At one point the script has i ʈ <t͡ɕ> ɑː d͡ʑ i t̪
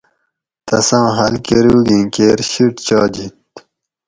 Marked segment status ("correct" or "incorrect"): correct